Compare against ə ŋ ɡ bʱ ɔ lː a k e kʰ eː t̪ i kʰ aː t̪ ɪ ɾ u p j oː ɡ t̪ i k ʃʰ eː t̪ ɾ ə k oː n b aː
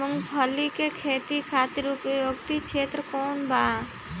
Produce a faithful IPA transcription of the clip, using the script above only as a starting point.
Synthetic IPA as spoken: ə ŋ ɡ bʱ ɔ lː i k e kʰ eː t̪ i kʰ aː t̪ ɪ ɾ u p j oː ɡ t̪ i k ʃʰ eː t̪ ɾ ə k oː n b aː